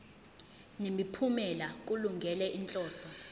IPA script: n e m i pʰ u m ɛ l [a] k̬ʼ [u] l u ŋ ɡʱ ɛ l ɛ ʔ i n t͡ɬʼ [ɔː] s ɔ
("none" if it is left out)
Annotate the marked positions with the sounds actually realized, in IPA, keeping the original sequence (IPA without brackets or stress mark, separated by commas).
a, u, ɔː